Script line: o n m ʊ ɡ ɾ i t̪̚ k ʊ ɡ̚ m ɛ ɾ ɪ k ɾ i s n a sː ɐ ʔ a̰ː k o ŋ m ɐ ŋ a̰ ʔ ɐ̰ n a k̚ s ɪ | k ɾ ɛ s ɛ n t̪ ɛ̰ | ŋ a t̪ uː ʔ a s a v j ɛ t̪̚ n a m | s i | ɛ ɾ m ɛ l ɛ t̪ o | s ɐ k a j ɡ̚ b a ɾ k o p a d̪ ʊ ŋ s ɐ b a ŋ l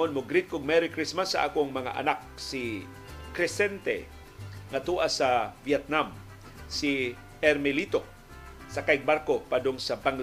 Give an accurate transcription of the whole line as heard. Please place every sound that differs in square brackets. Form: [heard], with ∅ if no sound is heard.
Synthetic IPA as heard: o n m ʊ ɡ ɾ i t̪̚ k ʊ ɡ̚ m ɛ ɾ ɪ k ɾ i s [m] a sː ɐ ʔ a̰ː k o ŋ m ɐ ŋ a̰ ʔ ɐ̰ n a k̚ s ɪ | k ɾ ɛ s ɛ n t̪ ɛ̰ | ŋ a t̪ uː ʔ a s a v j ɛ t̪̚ n a m | s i | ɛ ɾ m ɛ l [i] t̪ o | s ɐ k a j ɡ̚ b a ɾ k o p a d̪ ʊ ŋ s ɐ b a ŋ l